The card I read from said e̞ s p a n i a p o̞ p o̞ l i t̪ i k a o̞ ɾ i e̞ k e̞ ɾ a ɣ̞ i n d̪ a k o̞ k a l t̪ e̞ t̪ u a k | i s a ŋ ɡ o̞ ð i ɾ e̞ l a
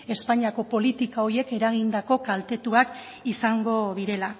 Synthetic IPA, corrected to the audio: e̞ s p a ɲ i a k o̞ p o̞ l i t̪ i k a o̞ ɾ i e̞ k e̞ ɾ a ɣ̞ i n d̪ a k o̞ k a l t̪ e̞ t̪ u a k | i s a ŋ ɡ o̞ ð i ɾ e̞ l a